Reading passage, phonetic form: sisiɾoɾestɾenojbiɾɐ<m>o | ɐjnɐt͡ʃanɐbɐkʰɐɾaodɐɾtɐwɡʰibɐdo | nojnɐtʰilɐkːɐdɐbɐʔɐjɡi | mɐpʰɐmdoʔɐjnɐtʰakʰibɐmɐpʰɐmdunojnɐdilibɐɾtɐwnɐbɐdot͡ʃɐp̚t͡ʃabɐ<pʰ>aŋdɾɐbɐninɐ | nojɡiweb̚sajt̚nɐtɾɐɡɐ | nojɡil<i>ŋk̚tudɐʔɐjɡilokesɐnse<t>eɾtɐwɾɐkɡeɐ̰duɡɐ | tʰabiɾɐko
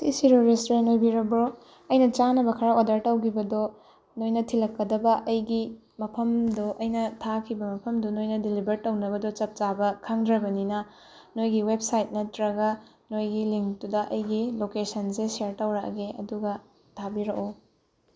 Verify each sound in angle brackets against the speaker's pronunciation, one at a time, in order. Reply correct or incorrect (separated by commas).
incorrect, incorrect, correct, incorrect